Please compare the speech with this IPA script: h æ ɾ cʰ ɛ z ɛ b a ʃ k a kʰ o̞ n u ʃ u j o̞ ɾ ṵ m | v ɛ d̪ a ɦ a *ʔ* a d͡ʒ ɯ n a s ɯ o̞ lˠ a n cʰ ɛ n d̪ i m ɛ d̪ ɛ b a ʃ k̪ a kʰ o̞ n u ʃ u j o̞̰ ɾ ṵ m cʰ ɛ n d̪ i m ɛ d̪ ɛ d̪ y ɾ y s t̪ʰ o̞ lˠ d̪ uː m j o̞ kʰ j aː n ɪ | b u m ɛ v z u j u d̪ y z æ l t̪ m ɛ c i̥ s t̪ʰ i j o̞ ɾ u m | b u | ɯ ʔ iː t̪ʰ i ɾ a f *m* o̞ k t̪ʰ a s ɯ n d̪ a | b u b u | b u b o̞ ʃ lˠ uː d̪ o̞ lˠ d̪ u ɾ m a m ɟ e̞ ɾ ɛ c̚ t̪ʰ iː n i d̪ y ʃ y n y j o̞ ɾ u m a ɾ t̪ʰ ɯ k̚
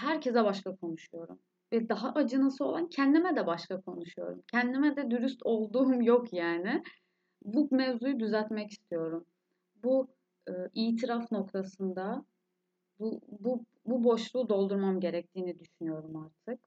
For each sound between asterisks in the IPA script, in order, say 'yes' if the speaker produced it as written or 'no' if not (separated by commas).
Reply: yes, no